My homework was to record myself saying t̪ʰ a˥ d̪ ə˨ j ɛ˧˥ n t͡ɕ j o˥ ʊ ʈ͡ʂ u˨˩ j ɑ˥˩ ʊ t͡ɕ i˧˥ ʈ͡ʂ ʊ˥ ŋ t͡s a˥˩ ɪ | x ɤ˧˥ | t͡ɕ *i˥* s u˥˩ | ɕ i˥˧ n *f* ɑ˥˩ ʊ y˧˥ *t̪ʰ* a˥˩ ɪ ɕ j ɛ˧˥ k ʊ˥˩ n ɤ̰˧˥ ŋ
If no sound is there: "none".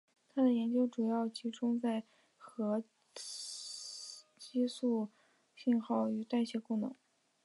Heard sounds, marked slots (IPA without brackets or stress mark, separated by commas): i˥, x, t̪